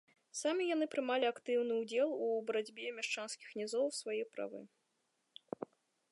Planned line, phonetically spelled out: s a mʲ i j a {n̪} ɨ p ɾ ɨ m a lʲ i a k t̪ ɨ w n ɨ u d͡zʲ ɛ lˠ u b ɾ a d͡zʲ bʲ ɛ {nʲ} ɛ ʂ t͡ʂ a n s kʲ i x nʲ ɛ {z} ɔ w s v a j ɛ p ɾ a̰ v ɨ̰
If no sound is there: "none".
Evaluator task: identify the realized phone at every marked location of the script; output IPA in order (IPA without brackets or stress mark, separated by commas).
n̪, mʲ, z